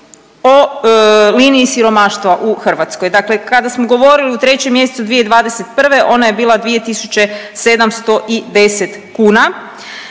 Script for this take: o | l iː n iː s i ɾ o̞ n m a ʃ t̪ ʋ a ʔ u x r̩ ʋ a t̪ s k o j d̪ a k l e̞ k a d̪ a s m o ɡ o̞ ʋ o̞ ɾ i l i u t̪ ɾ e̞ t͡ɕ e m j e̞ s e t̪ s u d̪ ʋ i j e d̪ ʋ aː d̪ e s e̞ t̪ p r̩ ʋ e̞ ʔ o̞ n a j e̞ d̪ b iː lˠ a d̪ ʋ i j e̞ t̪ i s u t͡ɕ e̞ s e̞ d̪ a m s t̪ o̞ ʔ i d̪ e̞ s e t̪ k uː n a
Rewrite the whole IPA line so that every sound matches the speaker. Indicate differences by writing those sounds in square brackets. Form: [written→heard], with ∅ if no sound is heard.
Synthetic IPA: o | l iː n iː s i ɾ o̞ [n→∅] m a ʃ t̪ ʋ a ʔ u x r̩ ʋ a t̪ s k o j d̪ a k l e̞ k a d̪ a s m o ɡ o̞ ʋ o̞ ɾ i l i u t̪ ɾ e̞ t͡ɕ e m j e̞ s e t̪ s u d̪ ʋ i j e d̪ ʋ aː d̪ e s e̞ t̪ p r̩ ʋ e̞ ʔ o̞ n a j e̞ [d̪→∅] b iː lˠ a d̪ ʋ i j e̞ t̪ i s u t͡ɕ e̞ s e̞ d̪ a m s t̪ o̞ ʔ i d̪ e̞ s e t̪ k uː n a